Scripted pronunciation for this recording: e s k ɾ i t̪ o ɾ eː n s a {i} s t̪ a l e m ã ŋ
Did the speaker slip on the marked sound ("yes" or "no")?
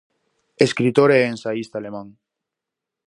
no